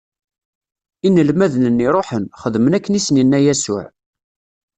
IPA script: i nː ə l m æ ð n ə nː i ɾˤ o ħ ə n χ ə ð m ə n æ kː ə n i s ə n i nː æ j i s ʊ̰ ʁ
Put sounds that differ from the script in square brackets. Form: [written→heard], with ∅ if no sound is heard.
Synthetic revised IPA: i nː ə l m æ ð n ə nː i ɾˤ o ħ ə n χ ə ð m ə n æ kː ə n i s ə n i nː æ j [i→æ] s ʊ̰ [ʁ→ʕ]

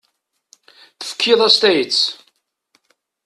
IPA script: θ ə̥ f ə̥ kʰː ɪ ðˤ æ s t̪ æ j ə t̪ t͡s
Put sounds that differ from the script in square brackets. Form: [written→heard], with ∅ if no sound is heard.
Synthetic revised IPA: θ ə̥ f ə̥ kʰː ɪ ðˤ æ s t̪ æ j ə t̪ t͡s

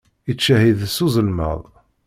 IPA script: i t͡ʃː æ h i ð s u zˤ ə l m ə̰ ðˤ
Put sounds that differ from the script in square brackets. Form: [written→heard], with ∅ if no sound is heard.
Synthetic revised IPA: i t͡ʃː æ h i ð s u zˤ ə l m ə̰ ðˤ

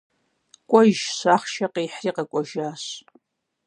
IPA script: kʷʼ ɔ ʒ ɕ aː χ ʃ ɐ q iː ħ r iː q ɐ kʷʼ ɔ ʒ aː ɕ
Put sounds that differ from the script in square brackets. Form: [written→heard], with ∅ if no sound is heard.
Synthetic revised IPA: kʷʼ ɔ ʒ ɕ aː χ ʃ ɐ q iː ħ r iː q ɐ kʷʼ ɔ ʒ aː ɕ

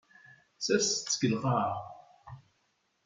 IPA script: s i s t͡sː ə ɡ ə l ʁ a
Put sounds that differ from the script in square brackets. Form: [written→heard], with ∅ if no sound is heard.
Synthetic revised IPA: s [i→æ] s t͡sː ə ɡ ə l ʁ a

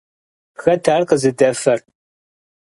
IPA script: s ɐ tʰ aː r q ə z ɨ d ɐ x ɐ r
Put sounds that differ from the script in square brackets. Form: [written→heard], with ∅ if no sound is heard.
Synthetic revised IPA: [s→x] ɐ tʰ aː r q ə z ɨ d ɐ [x→f] ɐ r

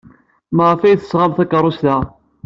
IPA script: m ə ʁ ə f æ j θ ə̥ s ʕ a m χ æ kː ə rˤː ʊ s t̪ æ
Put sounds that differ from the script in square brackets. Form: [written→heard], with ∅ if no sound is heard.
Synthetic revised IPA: m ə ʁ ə f æ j θ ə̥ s [ʕ→ʁ] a m [χ→θ] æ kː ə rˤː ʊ s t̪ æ

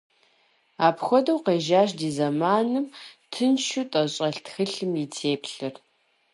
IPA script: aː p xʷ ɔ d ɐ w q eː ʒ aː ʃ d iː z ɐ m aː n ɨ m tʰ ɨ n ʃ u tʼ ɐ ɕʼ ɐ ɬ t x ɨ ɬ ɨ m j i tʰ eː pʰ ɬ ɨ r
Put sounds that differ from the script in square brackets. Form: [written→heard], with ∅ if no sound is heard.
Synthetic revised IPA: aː p xʷ ɔ d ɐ w q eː ʒ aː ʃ d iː z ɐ m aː n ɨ m tʰ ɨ n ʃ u tʼ ɐ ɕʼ ɐ ɬ t x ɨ ɬ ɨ m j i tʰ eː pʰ ɬ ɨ r

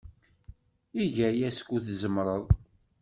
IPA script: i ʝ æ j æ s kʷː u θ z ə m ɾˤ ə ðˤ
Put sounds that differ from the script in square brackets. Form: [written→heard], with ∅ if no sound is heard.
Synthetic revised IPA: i ʝ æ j æ s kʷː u θ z ə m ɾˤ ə ðˤ

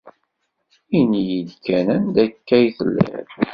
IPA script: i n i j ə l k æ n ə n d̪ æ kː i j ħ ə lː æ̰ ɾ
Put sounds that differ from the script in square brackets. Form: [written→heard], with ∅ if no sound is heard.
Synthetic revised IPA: i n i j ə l k æ n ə n d̪ æ kː [i→æ] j [ħ→θ] ə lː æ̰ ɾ

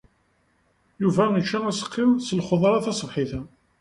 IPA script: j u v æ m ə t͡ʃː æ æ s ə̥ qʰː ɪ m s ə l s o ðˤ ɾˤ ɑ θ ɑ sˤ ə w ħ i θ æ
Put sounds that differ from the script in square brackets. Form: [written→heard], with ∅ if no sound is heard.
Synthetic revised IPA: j u v æ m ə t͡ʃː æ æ s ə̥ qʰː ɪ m s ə l [s→χ] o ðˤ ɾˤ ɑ θ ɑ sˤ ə [w→v] ħ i θ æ

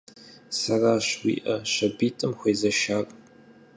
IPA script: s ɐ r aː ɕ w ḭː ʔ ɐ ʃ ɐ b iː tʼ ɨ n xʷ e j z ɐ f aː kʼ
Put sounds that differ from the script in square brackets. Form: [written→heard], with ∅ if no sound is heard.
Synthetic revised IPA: s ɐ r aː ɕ w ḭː ʔ ɐ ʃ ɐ b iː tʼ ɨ [n→m] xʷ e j z ɐ [f→ʃ] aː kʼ

